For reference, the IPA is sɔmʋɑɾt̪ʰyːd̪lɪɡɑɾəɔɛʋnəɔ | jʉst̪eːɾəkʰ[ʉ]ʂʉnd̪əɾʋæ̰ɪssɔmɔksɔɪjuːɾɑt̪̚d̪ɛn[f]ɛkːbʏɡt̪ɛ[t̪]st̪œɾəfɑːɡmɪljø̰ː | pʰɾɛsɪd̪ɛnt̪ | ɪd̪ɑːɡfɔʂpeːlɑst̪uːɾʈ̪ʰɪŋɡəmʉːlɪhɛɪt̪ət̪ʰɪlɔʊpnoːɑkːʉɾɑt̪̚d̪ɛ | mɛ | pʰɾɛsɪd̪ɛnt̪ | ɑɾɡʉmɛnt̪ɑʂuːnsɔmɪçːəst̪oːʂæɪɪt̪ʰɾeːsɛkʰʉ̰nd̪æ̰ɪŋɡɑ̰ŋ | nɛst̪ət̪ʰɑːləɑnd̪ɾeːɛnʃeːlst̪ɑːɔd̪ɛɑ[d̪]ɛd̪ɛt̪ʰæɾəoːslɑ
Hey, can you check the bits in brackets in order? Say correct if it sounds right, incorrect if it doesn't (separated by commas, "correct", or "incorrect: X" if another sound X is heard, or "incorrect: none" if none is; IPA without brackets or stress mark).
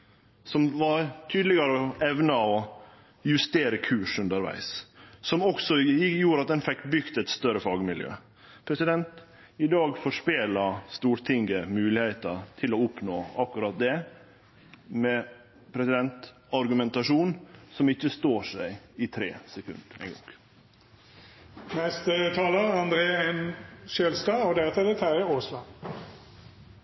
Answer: incorrect: ʉː, correct, correct, incorrect: t̪